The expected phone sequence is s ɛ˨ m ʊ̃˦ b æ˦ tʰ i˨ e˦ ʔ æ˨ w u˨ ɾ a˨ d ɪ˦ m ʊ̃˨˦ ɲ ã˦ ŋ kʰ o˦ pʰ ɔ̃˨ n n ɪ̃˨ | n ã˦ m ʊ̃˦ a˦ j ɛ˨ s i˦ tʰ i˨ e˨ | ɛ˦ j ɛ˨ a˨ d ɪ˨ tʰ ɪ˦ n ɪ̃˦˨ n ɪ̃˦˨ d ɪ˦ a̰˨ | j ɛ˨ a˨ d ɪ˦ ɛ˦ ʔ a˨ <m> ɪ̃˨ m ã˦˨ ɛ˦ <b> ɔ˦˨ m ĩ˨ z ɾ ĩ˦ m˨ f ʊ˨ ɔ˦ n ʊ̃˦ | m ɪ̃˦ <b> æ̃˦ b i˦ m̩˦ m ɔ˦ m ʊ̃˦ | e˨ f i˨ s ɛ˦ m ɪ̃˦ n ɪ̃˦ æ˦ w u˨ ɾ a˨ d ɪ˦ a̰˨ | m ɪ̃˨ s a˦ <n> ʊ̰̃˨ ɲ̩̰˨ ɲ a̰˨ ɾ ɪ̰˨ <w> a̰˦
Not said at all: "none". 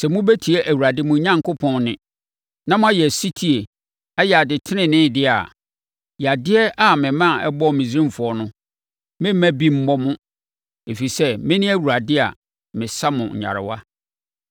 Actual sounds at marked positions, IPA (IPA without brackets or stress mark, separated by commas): m, b, m, m, w